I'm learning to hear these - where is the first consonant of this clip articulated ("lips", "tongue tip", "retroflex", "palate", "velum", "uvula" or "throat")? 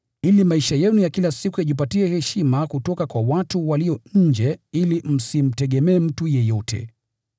tongue tip